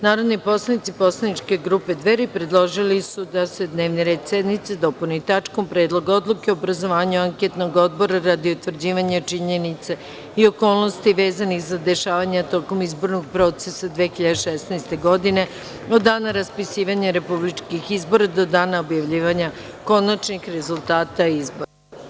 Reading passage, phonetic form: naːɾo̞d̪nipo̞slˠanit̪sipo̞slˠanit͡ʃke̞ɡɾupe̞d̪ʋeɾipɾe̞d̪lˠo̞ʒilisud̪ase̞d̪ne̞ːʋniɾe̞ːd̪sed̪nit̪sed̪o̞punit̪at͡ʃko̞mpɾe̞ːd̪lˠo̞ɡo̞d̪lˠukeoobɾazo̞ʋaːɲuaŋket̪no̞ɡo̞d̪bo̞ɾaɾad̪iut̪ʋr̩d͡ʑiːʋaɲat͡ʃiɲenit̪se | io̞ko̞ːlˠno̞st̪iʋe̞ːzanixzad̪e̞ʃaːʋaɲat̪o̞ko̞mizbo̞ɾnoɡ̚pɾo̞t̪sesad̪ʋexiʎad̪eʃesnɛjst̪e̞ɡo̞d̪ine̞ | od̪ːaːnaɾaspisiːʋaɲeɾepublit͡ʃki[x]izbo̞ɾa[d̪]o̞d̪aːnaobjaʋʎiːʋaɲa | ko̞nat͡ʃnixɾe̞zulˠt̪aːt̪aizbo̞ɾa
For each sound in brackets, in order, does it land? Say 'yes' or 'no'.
yes, yes

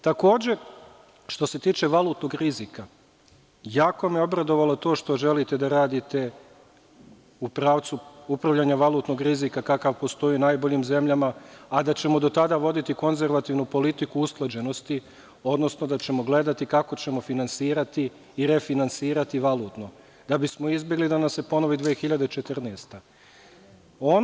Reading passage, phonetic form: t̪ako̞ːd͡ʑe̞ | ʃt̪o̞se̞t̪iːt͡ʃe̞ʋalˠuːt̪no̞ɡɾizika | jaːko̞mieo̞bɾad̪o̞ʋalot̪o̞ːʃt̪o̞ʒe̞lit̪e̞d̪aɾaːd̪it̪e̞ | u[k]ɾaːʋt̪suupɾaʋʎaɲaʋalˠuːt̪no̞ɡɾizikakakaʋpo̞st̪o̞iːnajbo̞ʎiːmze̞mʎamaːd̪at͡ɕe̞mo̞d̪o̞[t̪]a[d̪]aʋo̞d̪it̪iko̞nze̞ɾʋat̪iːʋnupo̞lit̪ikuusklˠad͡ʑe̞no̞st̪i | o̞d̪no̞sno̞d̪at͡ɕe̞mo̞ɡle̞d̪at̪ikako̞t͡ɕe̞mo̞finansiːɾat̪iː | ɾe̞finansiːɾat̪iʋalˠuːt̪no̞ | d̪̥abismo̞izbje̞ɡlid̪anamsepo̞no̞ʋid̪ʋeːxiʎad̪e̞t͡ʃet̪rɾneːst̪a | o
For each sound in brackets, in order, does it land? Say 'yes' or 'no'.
no, yes, yes

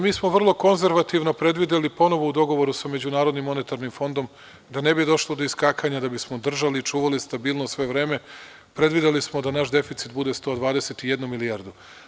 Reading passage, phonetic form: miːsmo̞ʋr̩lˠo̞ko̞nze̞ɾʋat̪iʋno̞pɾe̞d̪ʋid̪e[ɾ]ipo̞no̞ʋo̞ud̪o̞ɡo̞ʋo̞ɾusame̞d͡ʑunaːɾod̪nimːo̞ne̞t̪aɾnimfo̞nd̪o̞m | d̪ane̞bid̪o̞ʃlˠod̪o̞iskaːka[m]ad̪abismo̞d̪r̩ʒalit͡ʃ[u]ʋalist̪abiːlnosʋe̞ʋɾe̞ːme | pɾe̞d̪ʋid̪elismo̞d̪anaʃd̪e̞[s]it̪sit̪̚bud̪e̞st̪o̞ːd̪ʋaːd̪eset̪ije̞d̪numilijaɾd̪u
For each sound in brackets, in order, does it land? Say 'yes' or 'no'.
no, no, no, no

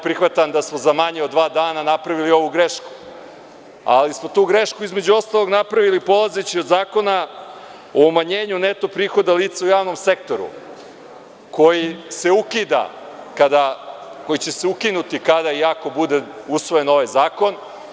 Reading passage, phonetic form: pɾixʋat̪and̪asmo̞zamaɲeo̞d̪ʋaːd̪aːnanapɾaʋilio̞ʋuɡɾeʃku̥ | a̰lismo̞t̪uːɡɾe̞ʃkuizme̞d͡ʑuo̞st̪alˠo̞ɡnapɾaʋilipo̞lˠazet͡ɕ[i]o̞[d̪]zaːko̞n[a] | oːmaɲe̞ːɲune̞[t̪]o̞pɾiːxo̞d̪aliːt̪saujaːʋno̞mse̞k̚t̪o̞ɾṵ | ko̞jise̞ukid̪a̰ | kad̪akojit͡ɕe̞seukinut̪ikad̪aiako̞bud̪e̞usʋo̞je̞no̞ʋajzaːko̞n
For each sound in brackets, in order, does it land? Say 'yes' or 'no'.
yes, yes, yes, yes

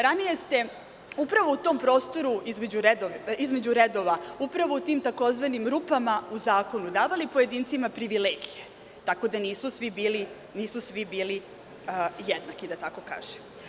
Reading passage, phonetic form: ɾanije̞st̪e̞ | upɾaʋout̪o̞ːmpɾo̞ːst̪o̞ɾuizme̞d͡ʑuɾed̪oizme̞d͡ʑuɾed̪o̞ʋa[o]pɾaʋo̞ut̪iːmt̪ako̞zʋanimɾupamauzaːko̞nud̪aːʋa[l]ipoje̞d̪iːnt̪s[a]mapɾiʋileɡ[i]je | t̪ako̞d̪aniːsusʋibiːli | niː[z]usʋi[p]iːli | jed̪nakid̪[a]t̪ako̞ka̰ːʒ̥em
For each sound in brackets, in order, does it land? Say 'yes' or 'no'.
no, yes, no, yes, no, no, yes

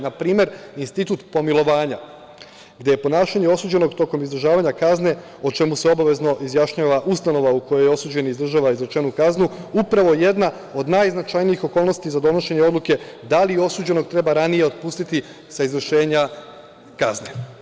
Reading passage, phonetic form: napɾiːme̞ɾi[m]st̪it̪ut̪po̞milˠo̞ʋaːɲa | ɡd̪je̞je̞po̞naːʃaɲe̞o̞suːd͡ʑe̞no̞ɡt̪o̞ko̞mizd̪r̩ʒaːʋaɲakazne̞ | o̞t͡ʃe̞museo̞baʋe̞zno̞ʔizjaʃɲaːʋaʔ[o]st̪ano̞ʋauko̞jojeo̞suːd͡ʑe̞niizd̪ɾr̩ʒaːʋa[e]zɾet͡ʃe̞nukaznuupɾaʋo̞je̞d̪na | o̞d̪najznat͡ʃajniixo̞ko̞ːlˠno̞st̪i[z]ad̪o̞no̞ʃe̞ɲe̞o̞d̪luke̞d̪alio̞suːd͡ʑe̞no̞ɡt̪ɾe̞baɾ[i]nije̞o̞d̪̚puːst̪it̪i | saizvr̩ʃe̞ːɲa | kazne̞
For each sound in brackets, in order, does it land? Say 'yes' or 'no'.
no, no, no, yes, no

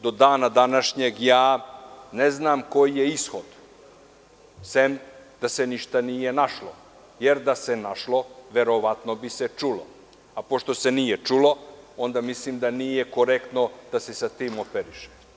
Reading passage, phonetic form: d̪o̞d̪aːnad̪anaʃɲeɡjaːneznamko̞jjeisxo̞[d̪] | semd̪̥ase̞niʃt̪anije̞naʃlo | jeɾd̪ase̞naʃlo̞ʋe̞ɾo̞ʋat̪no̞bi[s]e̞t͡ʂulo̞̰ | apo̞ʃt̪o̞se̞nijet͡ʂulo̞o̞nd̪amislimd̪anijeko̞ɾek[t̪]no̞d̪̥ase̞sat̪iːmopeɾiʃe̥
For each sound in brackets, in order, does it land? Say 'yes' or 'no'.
yes, yes, yes

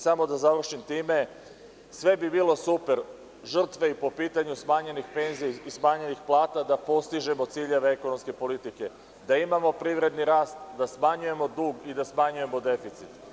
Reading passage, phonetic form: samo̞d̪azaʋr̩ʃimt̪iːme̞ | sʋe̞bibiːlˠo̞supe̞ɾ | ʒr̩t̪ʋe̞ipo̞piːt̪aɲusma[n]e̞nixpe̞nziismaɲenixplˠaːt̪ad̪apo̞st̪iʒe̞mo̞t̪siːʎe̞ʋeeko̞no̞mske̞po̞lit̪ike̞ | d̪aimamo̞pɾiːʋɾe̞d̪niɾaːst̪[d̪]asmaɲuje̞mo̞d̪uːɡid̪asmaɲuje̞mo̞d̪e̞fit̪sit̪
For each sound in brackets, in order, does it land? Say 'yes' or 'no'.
no, yes

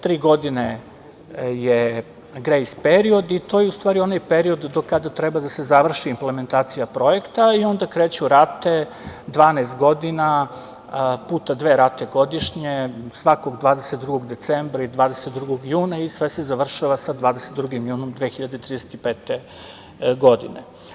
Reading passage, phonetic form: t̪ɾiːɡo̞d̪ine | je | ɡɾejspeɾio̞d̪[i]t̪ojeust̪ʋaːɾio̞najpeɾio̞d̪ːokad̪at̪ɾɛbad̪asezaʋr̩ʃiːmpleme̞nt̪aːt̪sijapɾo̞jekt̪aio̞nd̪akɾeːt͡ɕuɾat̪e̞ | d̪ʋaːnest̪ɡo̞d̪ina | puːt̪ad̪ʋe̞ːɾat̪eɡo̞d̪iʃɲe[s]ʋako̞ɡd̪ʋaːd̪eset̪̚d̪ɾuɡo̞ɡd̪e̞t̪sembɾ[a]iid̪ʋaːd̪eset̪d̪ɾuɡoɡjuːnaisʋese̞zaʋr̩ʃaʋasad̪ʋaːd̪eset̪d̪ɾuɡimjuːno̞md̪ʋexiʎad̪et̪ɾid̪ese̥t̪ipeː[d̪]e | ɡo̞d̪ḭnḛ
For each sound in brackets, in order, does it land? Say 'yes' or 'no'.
yes, yes, yes, no

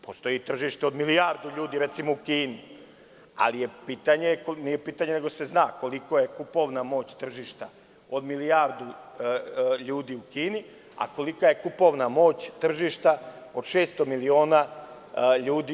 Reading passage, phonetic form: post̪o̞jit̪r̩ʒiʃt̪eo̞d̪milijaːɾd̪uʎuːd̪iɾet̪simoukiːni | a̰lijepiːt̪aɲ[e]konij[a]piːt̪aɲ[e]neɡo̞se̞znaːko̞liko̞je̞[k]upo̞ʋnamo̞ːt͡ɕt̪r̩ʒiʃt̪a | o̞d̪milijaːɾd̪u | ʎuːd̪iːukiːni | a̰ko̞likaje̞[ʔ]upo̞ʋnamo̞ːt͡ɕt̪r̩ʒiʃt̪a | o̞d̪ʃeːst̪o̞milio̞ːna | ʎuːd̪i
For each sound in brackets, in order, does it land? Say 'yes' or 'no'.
yes, no, yes, yes, no

